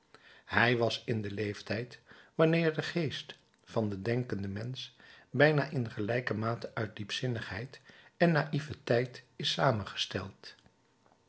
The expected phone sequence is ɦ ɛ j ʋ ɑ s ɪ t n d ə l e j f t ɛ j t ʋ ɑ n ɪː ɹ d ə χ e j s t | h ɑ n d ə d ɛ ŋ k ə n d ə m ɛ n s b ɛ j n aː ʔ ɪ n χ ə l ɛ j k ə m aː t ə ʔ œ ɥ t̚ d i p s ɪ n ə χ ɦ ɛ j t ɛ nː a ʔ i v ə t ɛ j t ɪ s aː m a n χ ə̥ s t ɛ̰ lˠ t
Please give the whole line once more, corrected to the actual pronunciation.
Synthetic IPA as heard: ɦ ɛ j ʋ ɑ s ɪ n d ə l e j f t ɛ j t ʋ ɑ n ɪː ɹ d ə χ e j s t | f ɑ n d ə d ɛ ŋ k ə n d ə m ɛ n s b ɛ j n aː ʔ ɪ n χ ə l ɛ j k ə m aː t ə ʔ œ ɥ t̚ d i p s ɪ n ə χ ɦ ɛ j t ɛ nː a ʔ i v ə t ɛ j t ɪ s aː m ə n χ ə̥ s t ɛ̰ lˠ t